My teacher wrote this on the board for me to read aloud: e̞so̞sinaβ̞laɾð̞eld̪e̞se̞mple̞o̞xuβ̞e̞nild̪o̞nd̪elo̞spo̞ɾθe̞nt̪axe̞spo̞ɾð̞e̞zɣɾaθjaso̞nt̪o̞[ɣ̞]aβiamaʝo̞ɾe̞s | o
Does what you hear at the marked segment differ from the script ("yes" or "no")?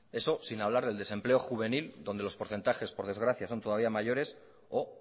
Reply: yes